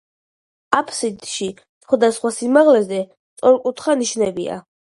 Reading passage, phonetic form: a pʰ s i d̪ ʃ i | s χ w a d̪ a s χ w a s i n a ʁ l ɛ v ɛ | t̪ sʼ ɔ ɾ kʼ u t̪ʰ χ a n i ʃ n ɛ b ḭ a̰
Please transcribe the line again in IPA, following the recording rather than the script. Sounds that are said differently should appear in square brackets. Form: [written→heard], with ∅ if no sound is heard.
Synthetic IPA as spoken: a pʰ s i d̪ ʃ i | s χ w a d̪ a s χ w a s i [n→m] a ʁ l ɛ [v→z] ɛ | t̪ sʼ ɔ ɾ kʼ u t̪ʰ χ a n i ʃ n ɛ b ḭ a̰